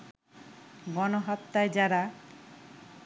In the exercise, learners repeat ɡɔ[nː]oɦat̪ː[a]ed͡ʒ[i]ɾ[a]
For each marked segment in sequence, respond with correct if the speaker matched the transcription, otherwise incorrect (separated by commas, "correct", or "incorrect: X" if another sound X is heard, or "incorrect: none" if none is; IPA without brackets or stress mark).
incorrect: n, correct, incorrect: a, correct